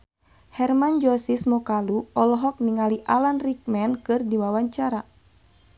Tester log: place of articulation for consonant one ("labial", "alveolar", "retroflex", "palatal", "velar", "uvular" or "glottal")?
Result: glottal